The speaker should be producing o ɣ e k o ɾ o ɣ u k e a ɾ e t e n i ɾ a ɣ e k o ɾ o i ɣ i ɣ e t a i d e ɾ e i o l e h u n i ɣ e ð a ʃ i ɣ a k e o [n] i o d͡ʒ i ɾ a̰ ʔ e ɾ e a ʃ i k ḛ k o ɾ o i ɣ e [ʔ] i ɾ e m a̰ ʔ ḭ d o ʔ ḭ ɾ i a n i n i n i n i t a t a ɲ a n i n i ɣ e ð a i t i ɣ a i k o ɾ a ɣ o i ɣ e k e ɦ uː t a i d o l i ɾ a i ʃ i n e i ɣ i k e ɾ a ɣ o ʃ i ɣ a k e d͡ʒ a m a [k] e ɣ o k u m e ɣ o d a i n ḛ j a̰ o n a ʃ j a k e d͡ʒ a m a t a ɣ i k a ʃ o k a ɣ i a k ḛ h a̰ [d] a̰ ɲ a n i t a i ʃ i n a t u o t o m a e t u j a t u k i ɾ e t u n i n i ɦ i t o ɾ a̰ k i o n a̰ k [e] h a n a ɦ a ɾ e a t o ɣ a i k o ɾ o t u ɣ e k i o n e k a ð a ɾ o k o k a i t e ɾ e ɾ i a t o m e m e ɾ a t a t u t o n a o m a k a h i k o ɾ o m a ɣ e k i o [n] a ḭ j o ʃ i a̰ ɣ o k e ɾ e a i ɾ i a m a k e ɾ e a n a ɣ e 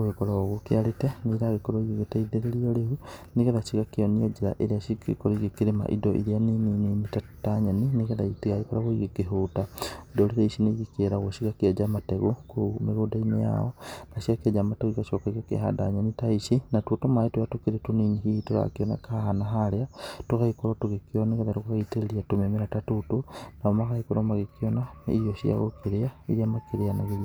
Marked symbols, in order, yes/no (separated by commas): yes, no, no, yes, no, yes